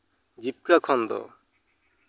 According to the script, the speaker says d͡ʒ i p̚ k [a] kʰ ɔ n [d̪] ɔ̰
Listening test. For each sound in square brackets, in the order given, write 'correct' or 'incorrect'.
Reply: correct, correct

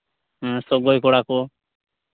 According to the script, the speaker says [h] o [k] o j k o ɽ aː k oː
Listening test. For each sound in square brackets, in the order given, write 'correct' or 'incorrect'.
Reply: incorrect: s, incorrect: ɡ

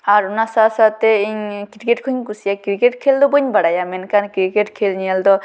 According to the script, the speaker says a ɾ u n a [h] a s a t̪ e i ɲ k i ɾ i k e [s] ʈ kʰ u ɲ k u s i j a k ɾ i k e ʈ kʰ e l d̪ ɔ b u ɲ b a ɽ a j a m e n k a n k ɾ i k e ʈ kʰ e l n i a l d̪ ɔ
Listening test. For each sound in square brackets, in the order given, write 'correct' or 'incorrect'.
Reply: incorrect: s, incorrect: none

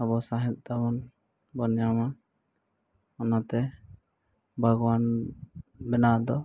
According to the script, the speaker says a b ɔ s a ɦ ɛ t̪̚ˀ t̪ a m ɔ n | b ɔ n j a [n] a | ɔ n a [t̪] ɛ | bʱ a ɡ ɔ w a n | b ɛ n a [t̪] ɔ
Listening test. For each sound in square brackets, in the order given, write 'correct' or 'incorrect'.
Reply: incorrect: m, correct, incorrect: d̪

